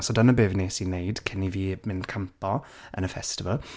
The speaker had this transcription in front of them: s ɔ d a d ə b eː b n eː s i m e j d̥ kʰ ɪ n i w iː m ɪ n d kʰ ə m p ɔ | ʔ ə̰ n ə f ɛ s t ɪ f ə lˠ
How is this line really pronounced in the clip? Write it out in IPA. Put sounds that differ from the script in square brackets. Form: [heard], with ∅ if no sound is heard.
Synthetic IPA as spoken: s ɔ d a [n] ə b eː [v] n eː s i [n] e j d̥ kʰ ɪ n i [v] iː m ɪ n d kʰ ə m p ɔ | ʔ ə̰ n ə f ɛ s t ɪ [v] ə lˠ